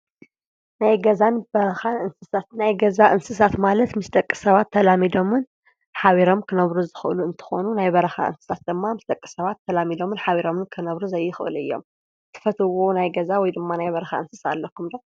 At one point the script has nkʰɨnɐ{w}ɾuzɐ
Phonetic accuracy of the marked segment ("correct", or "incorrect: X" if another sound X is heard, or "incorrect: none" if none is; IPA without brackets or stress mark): incorrect: β